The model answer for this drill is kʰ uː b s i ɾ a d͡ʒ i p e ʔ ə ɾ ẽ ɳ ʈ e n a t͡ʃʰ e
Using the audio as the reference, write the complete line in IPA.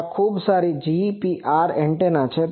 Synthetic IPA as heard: kʰ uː b s a ɾ i d͡ʒ i p i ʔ a ɾ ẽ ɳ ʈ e n a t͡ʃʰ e